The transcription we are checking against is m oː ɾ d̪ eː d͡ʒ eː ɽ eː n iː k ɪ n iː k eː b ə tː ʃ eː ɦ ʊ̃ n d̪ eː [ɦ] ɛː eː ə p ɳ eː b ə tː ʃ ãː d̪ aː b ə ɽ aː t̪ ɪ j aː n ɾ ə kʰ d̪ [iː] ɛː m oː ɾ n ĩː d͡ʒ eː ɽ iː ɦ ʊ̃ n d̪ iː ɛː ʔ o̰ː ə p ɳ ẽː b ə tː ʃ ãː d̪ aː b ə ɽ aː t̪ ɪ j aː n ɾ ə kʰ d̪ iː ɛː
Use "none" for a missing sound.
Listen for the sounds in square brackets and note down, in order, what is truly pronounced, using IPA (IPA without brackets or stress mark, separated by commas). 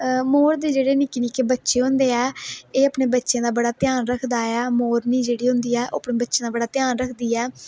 none, aː